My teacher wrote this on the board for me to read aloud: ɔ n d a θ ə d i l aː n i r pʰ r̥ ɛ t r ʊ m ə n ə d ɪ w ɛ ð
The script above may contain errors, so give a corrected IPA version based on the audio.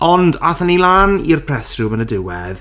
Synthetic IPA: ɔ n d a θ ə n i l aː n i r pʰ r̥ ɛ s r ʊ m ə n ə d ɪ w ɛ ð